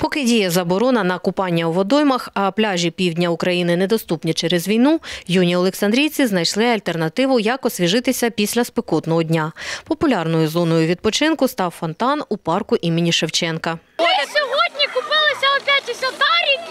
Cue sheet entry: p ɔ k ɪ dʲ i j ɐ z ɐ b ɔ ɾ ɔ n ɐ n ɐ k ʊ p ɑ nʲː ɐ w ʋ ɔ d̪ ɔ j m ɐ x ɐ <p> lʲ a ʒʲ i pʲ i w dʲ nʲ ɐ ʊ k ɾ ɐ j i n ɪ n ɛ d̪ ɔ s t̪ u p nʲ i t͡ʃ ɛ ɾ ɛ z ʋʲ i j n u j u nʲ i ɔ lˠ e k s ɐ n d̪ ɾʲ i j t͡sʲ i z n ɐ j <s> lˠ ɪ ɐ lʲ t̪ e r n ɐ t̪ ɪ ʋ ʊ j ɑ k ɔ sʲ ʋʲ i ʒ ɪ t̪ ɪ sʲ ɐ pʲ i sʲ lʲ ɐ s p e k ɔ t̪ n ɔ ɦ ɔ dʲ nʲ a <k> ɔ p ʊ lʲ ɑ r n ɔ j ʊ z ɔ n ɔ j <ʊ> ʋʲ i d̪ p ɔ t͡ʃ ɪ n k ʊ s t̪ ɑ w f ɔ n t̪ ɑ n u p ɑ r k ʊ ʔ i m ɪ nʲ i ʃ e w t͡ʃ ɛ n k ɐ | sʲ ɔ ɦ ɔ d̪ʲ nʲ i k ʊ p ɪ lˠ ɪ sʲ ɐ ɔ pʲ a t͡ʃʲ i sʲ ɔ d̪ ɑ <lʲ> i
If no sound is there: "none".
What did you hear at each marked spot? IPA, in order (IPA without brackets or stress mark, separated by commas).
p, ʃ, p, ʊ, ɾʲ